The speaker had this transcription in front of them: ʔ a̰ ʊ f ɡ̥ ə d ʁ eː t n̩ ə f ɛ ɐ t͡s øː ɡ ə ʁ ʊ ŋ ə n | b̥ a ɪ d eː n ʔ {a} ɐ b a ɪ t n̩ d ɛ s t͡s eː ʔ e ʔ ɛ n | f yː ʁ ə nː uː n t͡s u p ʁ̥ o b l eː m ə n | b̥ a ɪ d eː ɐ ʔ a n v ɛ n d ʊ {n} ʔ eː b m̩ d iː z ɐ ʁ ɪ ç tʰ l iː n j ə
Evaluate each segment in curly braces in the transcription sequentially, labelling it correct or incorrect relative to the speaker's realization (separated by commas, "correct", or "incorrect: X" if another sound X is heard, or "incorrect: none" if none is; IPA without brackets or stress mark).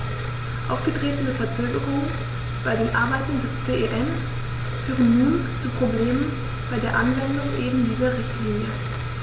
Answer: correct, incorrect: ŋ